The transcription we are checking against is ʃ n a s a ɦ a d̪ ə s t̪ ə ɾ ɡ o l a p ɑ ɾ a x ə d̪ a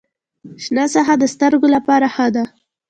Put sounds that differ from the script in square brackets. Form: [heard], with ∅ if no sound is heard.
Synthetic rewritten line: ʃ n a s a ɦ a d̪ ə s t̪ ə ɾ ɡ o l a p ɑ ɾ a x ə d̪ a